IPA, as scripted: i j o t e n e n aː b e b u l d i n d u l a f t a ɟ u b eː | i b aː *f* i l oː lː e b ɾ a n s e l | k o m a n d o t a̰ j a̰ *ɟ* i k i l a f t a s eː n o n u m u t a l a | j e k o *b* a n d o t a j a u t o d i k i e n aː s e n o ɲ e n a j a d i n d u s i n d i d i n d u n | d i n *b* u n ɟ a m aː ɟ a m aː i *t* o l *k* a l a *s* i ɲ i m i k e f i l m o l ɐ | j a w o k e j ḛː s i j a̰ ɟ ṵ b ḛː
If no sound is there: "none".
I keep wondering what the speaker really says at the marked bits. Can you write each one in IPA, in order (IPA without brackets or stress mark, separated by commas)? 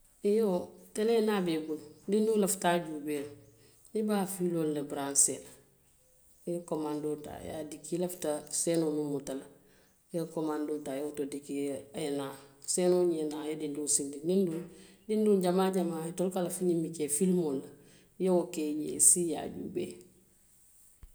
f, d, m, d, t, k, f